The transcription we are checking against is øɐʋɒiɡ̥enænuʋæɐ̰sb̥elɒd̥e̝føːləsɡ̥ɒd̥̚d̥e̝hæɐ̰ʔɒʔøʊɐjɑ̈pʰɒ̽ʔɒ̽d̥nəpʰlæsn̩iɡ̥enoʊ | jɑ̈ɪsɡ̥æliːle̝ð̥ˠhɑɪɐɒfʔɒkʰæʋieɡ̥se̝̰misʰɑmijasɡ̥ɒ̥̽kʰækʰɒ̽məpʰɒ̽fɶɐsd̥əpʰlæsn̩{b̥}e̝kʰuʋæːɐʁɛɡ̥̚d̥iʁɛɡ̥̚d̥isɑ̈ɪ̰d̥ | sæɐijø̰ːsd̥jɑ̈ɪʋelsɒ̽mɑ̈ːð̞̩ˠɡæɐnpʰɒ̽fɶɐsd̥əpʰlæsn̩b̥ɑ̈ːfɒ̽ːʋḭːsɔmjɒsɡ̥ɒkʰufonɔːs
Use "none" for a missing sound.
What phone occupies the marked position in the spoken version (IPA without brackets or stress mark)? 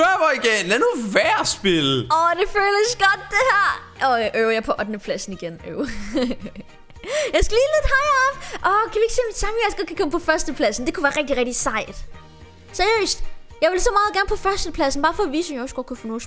d̥